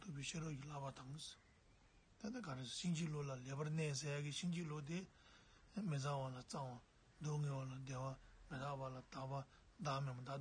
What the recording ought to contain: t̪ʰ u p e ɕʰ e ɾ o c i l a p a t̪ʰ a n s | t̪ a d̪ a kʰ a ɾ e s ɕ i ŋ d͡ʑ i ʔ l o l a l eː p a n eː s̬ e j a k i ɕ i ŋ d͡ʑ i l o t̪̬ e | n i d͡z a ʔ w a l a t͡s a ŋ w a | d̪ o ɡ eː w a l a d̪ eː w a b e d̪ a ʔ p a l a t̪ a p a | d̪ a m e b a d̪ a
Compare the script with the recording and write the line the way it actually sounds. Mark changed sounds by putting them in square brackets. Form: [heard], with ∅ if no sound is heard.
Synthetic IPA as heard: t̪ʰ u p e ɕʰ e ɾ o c i l a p a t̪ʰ a [ŋ] s | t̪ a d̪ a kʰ a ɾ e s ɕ i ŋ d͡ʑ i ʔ l o l a l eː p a n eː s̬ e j a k i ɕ i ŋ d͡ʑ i l o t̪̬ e | [m] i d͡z a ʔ w a l a t͡s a ŋ w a | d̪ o [ŋ] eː w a l a d̪ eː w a [m] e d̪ a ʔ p a l a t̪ a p a | d̪ a m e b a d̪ a